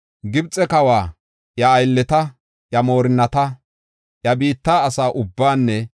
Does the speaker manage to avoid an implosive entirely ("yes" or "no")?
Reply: yes